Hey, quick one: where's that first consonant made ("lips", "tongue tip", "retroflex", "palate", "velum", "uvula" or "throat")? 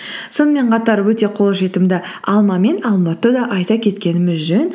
tongue tip